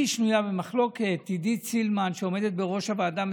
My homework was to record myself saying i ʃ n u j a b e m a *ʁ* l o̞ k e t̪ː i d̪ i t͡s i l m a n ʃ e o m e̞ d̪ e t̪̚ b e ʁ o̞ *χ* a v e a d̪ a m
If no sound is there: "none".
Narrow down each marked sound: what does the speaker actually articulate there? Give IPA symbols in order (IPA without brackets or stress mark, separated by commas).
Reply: χ, ʃ